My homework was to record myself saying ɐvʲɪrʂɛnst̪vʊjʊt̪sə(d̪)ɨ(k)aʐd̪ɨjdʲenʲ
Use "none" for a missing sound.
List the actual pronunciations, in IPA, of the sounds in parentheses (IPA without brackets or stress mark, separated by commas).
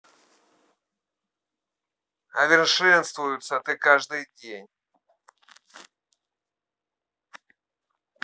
t̪, k